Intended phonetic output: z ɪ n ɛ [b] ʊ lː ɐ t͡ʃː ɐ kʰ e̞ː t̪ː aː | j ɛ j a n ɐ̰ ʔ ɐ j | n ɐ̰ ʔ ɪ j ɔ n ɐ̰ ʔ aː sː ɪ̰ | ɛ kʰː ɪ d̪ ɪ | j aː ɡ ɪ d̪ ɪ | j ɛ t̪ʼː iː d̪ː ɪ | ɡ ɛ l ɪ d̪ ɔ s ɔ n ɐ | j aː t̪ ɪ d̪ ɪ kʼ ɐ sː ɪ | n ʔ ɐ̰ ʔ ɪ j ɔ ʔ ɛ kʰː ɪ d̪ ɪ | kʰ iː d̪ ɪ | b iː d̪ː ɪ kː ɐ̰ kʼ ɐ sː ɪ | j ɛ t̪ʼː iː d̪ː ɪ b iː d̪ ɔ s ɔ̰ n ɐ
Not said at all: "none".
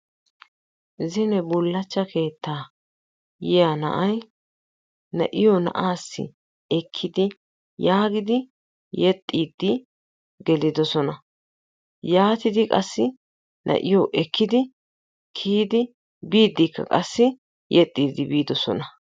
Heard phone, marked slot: b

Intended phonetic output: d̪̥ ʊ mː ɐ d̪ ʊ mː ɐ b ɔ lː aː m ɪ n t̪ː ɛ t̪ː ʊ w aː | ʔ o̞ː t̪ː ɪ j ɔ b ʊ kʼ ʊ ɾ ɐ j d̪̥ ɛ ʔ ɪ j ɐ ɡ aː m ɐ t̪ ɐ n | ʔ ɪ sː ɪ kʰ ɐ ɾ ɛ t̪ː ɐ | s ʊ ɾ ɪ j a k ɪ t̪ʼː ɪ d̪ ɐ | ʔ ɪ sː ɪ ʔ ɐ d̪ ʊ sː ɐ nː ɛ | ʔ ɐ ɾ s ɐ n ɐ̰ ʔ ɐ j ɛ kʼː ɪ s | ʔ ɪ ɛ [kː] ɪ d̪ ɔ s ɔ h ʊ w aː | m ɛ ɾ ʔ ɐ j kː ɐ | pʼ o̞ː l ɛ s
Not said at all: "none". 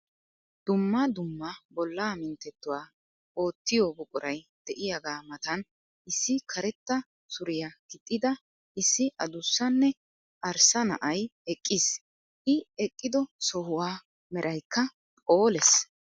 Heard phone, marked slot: kʼː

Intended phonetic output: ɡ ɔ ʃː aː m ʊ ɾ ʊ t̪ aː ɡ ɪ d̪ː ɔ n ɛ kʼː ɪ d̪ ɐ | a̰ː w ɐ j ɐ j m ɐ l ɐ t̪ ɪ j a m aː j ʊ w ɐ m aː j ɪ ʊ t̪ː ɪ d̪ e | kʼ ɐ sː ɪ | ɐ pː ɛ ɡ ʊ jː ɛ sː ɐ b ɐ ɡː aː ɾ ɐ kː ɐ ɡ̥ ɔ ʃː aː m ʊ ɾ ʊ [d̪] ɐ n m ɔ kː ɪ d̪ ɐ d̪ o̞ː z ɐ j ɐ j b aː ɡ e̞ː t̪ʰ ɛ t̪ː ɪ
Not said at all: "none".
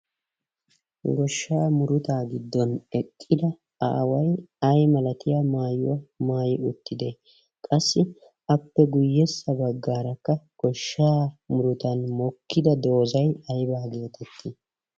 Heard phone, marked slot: t̪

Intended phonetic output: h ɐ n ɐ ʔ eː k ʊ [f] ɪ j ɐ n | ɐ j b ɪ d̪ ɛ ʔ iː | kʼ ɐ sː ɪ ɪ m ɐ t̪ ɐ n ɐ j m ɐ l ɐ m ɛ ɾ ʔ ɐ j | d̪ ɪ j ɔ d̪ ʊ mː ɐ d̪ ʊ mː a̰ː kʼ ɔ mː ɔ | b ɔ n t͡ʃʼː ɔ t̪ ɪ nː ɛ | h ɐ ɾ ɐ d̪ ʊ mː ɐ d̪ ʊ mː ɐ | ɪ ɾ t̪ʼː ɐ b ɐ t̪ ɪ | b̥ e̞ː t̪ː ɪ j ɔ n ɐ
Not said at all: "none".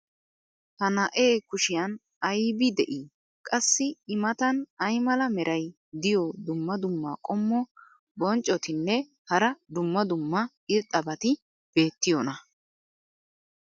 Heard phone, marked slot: ʃ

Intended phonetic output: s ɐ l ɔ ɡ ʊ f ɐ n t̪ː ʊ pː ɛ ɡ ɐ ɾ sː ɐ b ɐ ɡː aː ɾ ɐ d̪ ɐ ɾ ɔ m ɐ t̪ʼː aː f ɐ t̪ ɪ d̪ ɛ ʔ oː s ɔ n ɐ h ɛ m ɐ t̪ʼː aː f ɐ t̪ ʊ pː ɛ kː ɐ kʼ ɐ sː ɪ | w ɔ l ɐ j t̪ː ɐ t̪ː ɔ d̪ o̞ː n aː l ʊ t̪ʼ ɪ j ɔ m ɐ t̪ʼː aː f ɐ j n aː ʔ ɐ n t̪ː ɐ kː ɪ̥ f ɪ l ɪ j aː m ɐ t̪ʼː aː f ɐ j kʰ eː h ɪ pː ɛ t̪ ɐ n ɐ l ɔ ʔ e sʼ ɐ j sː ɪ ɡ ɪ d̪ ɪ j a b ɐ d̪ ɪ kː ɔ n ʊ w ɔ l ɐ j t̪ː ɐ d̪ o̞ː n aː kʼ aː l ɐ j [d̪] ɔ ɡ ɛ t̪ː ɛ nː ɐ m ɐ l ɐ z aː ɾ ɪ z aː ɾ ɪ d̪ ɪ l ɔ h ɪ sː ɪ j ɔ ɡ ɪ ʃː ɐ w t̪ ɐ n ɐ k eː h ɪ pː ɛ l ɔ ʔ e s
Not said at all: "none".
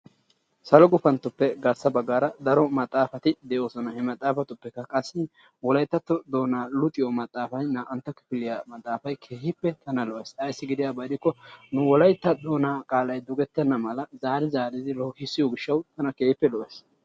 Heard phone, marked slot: d̪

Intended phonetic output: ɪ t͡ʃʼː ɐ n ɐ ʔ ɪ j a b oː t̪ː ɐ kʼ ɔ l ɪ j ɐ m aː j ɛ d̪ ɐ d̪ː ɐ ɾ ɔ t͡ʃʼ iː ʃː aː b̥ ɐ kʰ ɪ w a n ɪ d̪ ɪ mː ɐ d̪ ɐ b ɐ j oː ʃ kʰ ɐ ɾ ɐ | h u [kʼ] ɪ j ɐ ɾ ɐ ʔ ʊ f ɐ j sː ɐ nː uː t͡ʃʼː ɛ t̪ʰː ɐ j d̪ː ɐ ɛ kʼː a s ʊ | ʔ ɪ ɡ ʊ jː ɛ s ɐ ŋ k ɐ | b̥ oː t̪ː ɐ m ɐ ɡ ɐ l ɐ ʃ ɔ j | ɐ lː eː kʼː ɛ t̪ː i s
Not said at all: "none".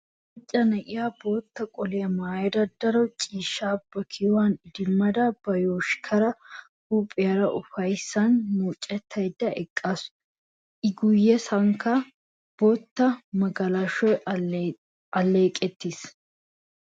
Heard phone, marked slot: pʼ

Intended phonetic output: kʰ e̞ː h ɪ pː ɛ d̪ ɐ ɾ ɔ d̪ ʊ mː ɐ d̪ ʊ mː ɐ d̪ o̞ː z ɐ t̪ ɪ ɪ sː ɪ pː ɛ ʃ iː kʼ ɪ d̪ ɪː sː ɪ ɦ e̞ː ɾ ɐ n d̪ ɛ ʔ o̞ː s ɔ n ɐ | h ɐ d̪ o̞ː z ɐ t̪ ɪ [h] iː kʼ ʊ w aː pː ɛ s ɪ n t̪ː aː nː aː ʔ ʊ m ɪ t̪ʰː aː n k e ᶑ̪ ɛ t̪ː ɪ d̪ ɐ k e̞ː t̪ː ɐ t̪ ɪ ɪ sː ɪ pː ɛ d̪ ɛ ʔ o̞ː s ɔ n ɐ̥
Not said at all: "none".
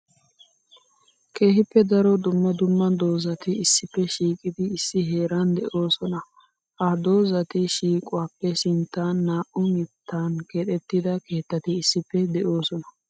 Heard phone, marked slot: ʃ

